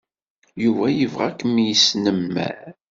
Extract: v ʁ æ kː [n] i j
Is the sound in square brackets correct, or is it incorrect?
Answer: incorrect